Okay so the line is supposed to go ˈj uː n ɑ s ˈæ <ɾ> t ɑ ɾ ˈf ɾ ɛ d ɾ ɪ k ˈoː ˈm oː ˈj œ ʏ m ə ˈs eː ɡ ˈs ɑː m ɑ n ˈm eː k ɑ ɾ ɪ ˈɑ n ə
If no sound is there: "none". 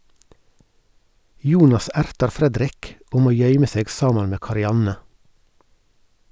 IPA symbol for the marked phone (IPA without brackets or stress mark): ɾ